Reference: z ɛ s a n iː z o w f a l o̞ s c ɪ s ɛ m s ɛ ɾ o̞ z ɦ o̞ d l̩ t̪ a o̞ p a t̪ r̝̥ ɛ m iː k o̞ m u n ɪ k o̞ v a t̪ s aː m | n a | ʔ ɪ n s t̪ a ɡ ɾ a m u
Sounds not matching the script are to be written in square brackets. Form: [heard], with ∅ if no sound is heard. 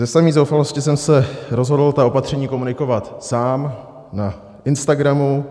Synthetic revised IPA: z ɛ s a [m] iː z o w f a l o̞ s c ɪ s ɛ m s ɛ ɾ o̞ z ɦ o̞ d l̩ t̪ a o̞ p a t̪ r̝̥ ɛ [ɲ] iː k o̞ m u n ɪ k o̞ v a t̪ s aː m | n a | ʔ ɪ n s t̪ a ɡ ɾ a m u